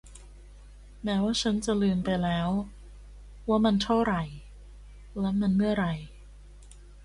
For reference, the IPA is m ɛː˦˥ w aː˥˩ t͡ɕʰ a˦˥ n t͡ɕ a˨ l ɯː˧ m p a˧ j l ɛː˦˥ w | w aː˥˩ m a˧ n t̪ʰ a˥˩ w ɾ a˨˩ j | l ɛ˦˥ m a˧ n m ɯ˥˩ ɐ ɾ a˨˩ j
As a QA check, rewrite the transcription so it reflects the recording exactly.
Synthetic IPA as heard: m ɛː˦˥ w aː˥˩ t͡ɕʰ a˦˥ n t͡ɕ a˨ l ɯː˧ m p a˧ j l ɛː˦˥ w | w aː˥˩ m a˧ n t̪ʰ a˥˩ w ɾ a˨˩ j | l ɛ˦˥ m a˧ n m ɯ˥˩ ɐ ɾ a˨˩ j

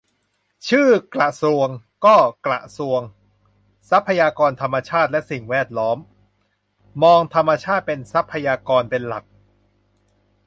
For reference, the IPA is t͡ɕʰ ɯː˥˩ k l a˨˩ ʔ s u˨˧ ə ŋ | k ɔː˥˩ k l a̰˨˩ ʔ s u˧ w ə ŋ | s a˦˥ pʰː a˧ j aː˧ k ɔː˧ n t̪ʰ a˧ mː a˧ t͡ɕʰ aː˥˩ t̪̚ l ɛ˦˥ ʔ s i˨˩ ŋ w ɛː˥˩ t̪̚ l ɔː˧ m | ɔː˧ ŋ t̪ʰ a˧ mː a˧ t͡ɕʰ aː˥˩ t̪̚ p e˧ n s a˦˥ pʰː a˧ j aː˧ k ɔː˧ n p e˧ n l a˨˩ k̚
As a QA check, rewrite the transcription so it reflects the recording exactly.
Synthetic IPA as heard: t͡ɕʰ ɯː˥˩ k l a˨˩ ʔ s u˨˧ ə ŋ | k ɔː˥˩ k l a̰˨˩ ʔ s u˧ ə ŋ | s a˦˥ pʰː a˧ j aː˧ k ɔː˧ n t̪ʰ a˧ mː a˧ t͡ɕʰ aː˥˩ t̪̚ l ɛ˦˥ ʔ s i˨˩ ŋ w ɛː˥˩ t̪̚ l ɔː˦˥ m | ɔː˧ ŋ t̪ʰ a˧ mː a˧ t͡ɕʰ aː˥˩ t̪̚ p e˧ n s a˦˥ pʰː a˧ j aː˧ k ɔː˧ n p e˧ n l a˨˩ k̚

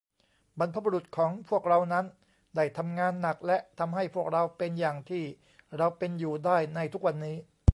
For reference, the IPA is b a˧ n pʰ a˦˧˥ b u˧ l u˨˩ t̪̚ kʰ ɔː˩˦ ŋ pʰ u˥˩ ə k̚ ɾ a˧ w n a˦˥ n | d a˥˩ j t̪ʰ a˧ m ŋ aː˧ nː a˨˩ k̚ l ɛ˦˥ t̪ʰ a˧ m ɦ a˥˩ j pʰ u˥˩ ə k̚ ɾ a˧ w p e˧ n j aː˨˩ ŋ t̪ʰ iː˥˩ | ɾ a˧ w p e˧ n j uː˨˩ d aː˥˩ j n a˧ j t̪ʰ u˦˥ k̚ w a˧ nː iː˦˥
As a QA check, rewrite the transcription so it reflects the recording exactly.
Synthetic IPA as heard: b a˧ n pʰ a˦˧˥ b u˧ ɾ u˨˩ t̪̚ kʰ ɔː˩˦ ŋ pʰ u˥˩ ə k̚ ɾ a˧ w n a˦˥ n | d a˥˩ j t̪ʰ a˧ m ŋ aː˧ nː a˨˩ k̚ l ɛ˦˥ t̪ʰ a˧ m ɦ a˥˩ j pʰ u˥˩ ə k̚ ɾ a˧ w p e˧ n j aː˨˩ ŋ t̪ʰ iː˥˩ | ɾ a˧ w p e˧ n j uː˨˩ d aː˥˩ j n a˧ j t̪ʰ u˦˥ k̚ w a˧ nː iː˦˥

